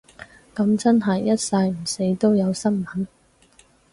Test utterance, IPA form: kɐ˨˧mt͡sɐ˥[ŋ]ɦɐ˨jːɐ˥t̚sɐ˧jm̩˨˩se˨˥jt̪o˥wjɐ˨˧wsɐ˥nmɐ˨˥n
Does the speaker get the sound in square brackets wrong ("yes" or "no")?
yes